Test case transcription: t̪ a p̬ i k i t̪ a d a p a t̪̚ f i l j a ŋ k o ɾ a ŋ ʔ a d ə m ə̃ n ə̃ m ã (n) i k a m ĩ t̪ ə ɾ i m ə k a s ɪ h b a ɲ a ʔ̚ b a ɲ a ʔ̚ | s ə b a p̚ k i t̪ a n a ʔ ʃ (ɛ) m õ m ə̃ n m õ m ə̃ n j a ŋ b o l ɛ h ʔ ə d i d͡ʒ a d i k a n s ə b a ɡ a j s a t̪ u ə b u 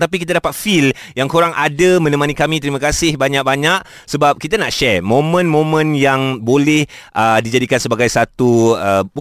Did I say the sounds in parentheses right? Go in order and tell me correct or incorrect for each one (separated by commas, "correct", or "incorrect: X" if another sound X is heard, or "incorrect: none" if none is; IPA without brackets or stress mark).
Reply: correct, correct